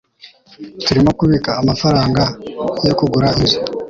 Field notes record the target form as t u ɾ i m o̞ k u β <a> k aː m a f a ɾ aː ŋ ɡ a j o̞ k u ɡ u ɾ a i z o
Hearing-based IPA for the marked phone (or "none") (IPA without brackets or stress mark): i